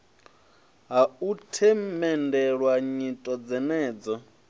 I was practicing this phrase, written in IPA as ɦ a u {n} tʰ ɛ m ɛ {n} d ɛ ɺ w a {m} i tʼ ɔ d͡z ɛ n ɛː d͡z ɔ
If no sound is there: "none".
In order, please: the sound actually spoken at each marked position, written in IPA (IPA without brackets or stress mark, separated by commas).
none, n, ɲ